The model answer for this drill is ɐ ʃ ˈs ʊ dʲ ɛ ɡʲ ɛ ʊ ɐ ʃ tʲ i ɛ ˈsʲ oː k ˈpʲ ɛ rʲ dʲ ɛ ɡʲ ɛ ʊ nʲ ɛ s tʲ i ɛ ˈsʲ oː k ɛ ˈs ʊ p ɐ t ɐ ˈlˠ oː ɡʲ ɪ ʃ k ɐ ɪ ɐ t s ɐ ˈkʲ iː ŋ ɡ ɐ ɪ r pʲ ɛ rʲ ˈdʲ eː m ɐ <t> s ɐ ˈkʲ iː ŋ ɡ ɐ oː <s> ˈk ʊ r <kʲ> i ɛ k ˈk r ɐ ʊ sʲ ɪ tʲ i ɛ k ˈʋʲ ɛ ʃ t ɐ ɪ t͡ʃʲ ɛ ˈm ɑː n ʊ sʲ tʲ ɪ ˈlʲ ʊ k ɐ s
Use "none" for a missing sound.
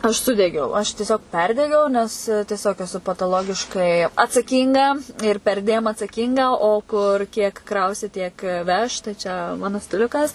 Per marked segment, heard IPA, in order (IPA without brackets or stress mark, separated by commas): t, none, kʲ